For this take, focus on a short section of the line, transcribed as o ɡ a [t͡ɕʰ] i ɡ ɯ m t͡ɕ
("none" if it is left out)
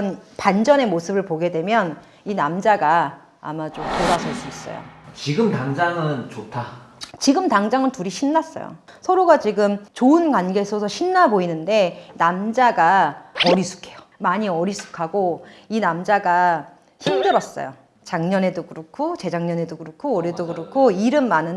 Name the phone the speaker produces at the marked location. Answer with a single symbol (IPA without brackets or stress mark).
t͡ɕ